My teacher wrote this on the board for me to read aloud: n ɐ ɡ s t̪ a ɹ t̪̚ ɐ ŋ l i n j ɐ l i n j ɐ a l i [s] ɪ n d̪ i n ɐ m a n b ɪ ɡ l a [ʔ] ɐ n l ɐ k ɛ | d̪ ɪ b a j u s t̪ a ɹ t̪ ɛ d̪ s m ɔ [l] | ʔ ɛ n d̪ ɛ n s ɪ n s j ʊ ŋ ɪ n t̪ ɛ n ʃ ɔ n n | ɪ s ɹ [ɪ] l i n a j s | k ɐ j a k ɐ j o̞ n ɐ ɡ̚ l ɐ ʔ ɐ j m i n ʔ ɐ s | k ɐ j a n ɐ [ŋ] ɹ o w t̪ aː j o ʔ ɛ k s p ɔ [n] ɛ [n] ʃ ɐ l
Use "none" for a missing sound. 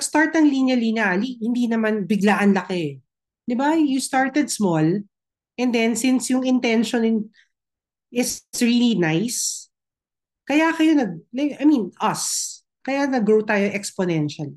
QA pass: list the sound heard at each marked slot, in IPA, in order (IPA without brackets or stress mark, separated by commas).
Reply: h, ʔ, l, i, ɡ, n, n